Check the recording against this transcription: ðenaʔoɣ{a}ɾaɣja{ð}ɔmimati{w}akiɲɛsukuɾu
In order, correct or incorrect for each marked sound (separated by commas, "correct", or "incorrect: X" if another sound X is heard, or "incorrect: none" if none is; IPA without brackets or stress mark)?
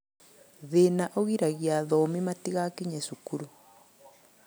incorrect: i, correct, incorrect: ɣ